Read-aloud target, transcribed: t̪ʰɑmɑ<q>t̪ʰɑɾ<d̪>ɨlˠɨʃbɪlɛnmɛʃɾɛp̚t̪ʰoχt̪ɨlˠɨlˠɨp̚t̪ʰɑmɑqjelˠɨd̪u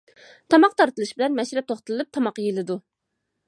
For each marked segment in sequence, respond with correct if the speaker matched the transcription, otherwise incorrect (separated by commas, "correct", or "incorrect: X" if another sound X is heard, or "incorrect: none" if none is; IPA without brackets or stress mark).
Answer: correct, incorrect: t̪